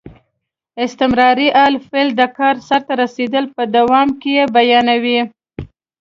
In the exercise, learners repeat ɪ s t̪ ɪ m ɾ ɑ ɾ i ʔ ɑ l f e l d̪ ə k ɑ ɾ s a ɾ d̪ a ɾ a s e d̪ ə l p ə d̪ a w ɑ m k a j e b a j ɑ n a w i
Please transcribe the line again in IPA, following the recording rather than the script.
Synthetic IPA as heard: ɪ s t̪ ɪ m ɾ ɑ ɾ i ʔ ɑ l f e l d̪ ə k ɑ ɾ s a ɾ t̪ a ɾ a s e d̪ ə l p ə d̪ a w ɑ m k e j e b a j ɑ n a w i